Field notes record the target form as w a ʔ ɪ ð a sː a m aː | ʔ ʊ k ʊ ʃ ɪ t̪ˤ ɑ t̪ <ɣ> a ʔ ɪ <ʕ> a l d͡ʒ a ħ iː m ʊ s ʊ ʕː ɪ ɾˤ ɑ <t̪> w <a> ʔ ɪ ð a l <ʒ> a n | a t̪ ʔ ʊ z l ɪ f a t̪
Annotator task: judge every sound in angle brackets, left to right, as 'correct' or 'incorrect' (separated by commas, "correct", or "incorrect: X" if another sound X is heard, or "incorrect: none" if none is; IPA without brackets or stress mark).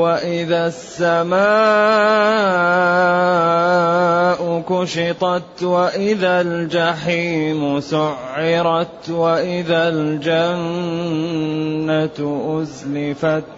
incorrect: w, incorrect: ð, correct, correct, incorrect: d͡ʒ